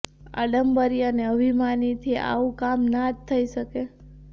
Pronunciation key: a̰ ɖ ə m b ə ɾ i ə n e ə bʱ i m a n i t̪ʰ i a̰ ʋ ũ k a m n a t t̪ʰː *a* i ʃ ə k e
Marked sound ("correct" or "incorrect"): incorrect